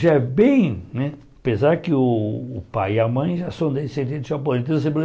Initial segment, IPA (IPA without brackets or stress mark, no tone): ʒ